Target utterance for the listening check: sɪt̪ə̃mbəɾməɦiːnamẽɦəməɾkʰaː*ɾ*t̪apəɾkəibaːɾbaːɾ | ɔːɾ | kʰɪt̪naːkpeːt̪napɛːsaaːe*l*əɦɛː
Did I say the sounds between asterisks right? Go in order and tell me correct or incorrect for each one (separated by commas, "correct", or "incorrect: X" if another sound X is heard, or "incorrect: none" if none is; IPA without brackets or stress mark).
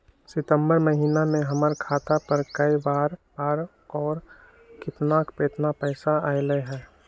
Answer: incorrect: none, correct